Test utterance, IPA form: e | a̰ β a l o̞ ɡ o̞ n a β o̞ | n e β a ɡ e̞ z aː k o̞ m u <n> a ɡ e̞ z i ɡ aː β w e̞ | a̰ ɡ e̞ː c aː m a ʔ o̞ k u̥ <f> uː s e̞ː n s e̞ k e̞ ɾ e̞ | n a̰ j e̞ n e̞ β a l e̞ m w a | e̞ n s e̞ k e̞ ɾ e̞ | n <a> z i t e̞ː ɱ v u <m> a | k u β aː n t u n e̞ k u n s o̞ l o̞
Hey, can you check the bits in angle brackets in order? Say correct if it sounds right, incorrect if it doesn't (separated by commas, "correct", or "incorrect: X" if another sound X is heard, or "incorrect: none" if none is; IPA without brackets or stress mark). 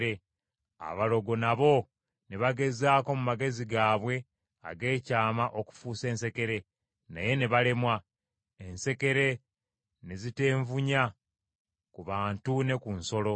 incorrect: m, correct, incorrect: e, incorrect: ɲ